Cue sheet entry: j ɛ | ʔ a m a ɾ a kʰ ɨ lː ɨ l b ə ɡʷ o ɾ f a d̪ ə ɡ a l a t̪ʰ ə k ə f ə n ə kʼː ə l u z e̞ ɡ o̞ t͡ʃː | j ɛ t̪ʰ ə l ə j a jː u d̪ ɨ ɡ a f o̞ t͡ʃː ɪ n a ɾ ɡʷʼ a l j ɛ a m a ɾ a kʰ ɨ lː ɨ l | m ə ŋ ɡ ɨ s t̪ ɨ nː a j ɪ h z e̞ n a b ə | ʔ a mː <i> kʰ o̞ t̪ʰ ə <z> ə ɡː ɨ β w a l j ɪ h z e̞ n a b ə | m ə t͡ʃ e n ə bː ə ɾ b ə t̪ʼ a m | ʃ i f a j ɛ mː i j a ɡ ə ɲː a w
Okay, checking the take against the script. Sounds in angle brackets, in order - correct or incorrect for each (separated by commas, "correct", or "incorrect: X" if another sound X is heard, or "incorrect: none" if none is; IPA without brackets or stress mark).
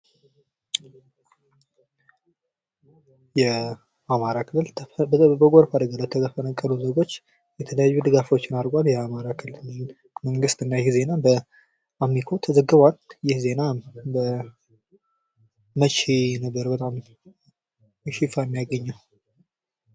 correct, correct